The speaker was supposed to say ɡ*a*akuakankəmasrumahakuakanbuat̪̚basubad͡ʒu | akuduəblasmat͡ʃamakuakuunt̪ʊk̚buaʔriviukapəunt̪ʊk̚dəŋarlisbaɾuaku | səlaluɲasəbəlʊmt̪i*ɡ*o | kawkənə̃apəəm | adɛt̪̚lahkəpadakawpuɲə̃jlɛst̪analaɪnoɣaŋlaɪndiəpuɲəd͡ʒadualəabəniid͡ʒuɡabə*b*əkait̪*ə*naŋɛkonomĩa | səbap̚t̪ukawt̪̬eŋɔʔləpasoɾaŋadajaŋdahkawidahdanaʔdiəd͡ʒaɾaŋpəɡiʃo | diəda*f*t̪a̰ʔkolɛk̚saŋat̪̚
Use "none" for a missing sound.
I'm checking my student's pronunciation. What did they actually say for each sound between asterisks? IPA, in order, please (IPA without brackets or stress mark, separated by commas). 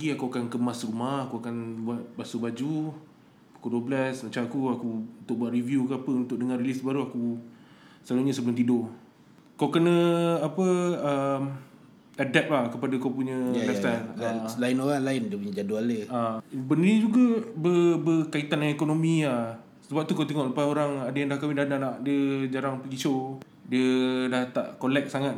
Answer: i, d, b, a, h